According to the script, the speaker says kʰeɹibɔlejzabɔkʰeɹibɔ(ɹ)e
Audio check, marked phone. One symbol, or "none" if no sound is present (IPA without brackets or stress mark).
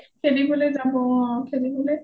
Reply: l